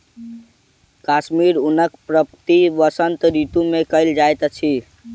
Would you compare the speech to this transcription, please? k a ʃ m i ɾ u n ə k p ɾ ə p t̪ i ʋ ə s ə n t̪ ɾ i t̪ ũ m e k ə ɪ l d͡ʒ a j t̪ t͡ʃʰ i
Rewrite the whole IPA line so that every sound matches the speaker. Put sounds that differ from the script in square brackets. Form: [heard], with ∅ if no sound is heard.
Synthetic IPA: k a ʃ m i ɾ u n ə k p ɾ ə p t̪ i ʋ ə s ə n t̪ ɾ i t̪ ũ m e k ə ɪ l d͡ʒ a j t̪ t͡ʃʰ i